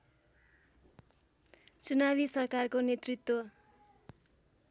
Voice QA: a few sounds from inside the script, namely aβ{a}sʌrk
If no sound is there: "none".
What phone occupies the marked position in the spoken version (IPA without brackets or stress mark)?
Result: i